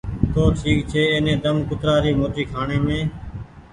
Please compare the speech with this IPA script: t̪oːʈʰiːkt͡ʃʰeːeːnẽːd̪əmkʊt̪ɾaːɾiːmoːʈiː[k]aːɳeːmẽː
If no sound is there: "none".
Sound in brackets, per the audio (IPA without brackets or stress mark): kʰ